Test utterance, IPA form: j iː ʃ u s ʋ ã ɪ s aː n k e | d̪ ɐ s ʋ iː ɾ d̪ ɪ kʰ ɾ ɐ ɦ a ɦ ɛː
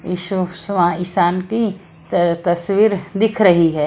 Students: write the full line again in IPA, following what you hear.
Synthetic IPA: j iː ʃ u s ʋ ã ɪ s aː n k i | t̪ ɐ s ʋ iː ɾ d̪ ɪ kʰ ɾ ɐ ɦ i ɦ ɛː

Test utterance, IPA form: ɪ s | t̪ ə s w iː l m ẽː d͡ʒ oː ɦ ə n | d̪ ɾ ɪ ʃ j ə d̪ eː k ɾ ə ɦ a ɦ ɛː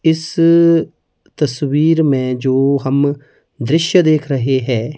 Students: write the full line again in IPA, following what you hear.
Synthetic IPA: ɪ s | t̪ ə s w iː ɾ m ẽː d͡ʒ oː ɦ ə m | d̪ ɾ ɪ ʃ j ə d̪ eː kʰ ɾ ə ɦ e ɦ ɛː

